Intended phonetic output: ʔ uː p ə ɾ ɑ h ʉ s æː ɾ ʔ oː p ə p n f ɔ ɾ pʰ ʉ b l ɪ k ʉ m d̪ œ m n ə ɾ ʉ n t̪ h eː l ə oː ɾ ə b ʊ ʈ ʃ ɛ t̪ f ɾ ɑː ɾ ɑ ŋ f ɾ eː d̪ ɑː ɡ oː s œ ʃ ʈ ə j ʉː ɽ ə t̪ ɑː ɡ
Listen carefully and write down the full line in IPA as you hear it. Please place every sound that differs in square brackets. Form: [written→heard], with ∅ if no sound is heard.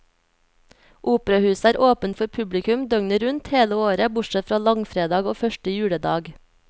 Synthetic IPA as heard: ʔ uː p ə ɾ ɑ h [ʉ→ʉː] s æː ɾ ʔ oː p ə [p→∅] n f ɔ ɾ pʰ ʉ b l ɪ k ʉ m d̪ œ [m→ŋ] n ə ɾ ʉ n t̪ h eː l ə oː ɾ ə b ʊ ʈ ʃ ɛ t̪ f ɾ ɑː [ɾ→l] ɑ ŋ f ɾ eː d̪ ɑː ɡ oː [s→f] œ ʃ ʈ ə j ʉː ɽ ə [t̪→d̪] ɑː ɡ

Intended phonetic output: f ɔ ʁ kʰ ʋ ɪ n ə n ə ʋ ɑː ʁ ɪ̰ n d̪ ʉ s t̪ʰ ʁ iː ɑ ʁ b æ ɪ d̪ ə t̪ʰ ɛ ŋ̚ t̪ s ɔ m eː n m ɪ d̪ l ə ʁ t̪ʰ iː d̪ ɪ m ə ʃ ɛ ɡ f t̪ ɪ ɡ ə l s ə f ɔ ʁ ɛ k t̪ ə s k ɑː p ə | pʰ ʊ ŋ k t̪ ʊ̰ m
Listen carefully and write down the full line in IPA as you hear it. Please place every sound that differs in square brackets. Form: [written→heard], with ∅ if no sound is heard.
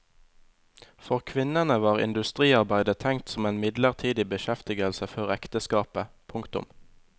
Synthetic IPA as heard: f ɔ ʁ kʰ ʋ ɪ n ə n ə ʋ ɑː ʁ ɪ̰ n d̪ ʉ s [t̪ʰ→t̪] ʁ iː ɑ ʁ b æ ɪ d̪ ə t̪ʰ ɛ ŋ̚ t̪ s ɔ m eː n m ɪ d̪ l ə ʁ t̪ʰ iː d̪ ɪ [m→b] ə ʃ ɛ [ɡ→∅] f t̪ ɪ ɡ ə l s ə f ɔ ʁ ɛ k t̪ ə s k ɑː p ə | pʰ ʊ ŋ k t̪ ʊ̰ m

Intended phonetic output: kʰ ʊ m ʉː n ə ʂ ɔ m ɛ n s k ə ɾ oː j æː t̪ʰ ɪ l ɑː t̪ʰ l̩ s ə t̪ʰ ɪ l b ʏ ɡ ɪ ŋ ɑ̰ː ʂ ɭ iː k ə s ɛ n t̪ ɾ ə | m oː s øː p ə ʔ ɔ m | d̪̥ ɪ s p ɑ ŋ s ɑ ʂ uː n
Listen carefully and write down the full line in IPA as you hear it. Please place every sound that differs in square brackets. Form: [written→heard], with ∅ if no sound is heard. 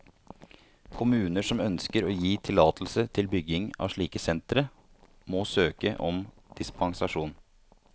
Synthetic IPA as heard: kʰ ʊ m ʉː n ə ʂ ɔ m [ɛ→œ] n s k ə ɾ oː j [æː→iː] t̪ʰ ɪ l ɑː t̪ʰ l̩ s ə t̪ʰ ɪ l b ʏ ɡ ɪ ŋ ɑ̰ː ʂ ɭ iː k ə s ɛ n t̪ ɾ ə | m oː s øː [p→k] ə ʔ ɔ m | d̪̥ ɪ s p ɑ ŋ s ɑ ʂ uː n

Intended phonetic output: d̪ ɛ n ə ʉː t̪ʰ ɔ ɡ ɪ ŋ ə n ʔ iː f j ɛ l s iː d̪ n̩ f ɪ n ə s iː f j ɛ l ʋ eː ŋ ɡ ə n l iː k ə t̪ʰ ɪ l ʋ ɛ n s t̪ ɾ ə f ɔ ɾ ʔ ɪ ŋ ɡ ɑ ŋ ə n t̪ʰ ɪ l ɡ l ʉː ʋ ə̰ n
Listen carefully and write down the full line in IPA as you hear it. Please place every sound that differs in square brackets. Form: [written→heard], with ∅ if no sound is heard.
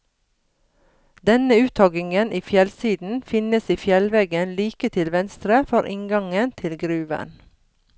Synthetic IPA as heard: d̪ ɛ n ə ʉː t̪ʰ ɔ ɡ ɪ ŋ ə n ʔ iː f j ɛ l s iː d̪ n̩ f ɪ n ə s iː f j ɛ l ʋ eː [ŋ→∅] ɡ ə n l iː k ə t̪ʰ ɪ l ʋ ɛ n s t̪ ɾ ə f ɔ ɾ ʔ ɪ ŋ ɡ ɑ ŋ ə n t̪ʰ ɪ l ɡ [l→ɾ] ʉː ʋ ə̰ n

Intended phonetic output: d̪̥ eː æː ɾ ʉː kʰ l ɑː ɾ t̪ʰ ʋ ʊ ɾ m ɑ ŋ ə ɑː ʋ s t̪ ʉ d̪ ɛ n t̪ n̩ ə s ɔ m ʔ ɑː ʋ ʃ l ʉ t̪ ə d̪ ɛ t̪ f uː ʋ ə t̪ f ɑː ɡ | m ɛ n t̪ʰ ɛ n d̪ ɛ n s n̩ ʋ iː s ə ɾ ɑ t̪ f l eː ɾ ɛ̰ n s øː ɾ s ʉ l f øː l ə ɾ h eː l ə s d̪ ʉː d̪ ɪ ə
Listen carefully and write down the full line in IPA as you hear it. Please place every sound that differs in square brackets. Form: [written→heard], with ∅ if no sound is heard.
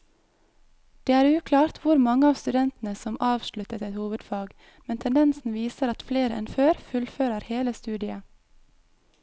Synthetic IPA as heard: d̪̥ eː æː ɾ ʉː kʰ l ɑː ɾ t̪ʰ ʋ ʊ ɾ m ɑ ŋ ə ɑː ʋ s t̪ ʉ d̪ ɛ n t̪ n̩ ə s ɔ m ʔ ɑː ʋ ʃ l ʉ t̪ ə [d̪→t̪] ɛ t̪ [f→h] uː ʋ ə [t̪→d̪] f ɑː ɡ | m ɛ n t̪ʰ ɛ n d̪ ɛ n s n̩ ʋ iː s ə ɾ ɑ t̪ f l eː ɾ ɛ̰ n [s→f] øː ɾ [s→f] ʉ l f øː [l→ɾ] ə ɾ h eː l ə s [d̪→t̪] ʉː d̪ ɪ ə

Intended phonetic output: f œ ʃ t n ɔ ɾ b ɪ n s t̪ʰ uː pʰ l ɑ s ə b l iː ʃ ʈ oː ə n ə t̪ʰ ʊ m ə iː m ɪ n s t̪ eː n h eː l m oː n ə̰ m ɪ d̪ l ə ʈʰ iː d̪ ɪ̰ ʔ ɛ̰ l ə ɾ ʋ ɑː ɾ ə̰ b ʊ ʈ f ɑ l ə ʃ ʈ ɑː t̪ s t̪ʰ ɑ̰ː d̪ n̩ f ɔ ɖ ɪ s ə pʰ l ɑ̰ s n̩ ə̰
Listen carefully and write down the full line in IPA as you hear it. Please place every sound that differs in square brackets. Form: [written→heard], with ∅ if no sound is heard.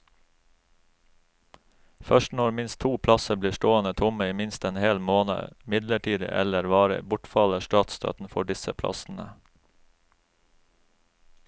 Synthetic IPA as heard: f œ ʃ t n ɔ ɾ [b→m] ɪ n s t̪ʰ uː pʰ l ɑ s ə b l iː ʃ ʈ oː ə n ə t̪ʰ ʊ m ə iː m ɪ n s t̪ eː n h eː l m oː n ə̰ m ɪ d̪ l ə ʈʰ iː d̪ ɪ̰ ʔ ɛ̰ l ə ɾ ʋ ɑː ɾ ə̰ b ʊ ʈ f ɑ l ə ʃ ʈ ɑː t̪ s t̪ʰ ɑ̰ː [d̪→t̪] n̩ f ɔ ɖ ɪ s ə pʰ l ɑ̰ s n̩ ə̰

